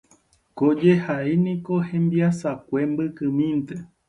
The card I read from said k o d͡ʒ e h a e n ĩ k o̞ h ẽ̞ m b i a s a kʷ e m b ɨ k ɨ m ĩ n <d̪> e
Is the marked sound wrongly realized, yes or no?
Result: yes